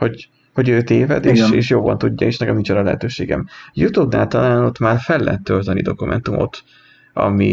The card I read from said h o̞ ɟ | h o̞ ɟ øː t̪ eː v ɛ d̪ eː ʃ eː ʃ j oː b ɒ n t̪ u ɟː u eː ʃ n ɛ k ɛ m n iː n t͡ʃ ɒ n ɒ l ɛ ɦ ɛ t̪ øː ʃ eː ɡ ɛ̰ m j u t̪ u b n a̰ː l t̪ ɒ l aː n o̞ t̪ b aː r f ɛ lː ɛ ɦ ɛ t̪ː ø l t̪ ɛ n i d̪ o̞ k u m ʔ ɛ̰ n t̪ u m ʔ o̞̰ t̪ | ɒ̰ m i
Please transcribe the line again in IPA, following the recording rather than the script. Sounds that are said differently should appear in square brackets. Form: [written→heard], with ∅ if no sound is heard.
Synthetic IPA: h o̞ ɟ | h o̞ ɟ øː t̪ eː v ɛ d̪ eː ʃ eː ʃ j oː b ɒ n t̪ u ɟː [u→ɒ] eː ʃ n ɛ k ɛ m n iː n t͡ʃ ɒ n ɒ l ɛ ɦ ɛ t̪ øː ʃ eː ɡ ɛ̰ m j u t̪ u b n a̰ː l t̪ ɒ l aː n o̞ t̪ [b→m] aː r f ɛ lː ɛ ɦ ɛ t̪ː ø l t̪ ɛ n i d̪ o̞ k u m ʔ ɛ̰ n t̪ u m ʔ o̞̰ t̪ | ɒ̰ m i